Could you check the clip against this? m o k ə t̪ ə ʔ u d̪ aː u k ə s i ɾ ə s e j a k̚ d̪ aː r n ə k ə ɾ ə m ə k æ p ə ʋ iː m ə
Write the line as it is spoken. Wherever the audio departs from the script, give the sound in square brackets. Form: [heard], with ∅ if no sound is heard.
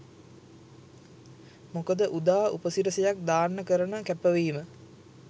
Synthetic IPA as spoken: m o k ə [d̪] ə ʔ u d̪ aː u [p] ə s i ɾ ə s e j a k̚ d̪ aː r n ə k ə ɾ ə [n] ə k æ p ə ʋ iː m ə

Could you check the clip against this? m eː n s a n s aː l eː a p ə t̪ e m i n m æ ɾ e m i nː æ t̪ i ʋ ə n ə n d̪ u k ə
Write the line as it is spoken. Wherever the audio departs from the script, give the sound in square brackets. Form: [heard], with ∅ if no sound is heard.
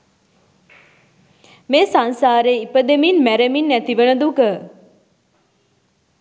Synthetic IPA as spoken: m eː [∅] s a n s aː [ɾ] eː [i] p ə [d̪] e m i n m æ ɾ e m i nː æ t̪ i ʋ ə n ə [∅] d̪ u k ə

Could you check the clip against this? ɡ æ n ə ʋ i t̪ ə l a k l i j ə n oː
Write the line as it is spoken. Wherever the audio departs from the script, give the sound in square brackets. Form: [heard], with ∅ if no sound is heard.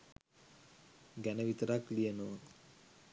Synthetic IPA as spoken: ɡ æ n ə ʋ i t̪ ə [ɾ] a k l i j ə n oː

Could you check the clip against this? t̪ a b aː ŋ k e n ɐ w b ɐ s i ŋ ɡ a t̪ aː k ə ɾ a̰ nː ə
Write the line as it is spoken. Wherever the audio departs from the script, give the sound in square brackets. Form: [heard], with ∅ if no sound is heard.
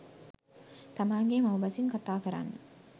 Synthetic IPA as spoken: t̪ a [m] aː ŋ [ɡ] e [m] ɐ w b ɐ s i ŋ [k] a t̪ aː k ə ɾ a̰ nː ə

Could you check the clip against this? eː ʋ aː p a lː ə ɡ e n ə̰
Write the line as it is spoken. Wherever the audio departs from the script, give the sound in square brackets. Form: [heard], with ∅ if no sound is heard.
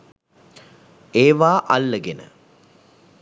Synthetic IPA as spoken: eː ʋ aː [ʔ] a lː ə ɡ e n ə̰

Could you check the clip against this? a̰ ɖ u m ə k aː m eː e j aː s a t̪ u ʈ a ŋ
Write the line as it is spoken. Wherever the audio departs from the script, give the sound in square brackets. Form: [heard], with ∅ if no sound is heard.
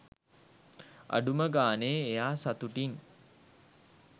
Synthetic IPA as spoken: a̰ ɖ u m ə [ɡ] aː [n] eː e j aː s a t̪ u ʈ [i] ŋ

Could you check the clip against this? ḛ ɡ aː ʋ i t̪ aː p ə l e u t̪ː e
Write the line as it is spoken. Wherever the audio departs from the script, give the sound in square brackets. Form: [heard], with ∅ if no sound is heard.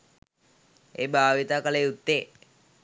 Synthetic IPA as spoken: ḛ [b] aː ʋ i t̪ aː [k] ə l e u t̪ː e

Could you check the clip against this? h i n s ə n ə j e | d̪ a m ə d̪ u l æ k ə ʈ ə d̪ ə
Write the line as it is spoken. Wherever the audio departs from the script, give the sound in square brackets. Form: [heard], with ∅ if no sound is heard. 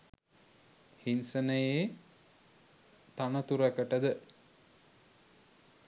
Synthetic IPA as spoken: h i n s ə n ə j e | [t̪] a [n] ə [t̪] u [ɾ] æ k ə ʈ ə d̪ ə

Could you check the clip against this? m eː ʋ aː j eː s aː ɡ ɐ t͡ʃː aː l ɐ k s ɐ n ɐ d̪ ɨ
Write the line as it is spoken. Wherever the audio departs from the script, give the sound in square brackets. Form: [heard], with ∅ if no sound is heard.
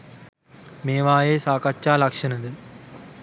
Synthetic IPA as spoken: m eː ʋ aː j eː s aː [k] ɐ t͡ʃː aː l ɐ k [ʂ] ɐ n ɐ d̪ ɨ

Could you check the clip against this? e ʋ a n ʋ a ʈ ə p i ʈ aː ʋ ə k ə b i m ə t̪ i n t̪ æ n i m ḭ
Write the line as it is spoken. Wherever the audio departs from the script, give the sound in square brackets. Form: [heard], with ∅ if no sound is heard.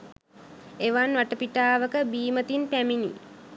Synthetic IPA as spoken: e ʋ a n ʋ a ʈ ə p i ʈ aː ʋ ə k ə b [iː] m ə t̪ i n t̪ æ [m] i [n] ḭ

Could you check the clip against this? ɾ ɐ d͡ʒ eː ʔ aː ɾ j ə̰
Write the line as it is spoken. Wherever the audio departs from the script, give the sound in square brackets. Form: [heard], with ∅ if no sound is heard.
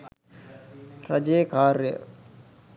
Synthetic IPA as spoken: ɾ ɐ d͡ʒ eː [k] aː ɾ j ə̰

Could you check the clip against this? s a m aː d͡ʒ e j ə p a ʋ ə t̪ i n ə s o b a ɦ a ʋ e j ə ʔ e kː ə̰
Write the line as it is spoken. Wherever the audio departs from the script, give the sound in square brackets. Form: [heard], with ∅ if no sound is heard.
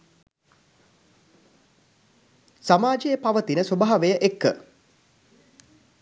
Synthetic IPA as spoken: s a m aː d͡ʒ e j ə p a ʋ ə t̪ i n ə s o b a ɦ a ʋ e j ə ʔ e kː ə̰

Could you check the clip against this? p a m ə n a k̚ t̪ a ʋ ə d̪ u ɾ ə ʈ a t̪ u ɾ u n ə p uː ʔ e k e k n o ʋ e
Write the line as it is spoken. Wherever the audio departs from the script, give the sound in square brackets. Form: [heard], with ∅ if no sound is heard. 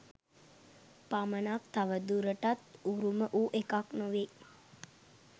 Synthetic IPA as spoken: p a m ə n a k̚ t̪ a ʋ ə d̪ u ɾ ə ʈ a t̪ u ɾ u [m] ə [ʔ] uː ʔ e k [a] k n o ʋ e

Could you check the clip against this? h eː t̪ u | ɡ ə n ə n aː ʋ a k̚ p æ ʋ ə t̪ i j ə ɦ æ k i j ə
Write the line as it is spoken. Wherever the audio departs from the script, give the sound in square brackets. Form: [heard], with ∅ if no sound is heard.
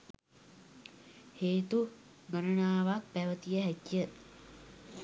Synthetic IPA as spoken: h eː t̪ u | ɡ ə n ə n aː ʋ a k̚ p æ ʋ ə t̪ i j ə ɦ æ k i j ə

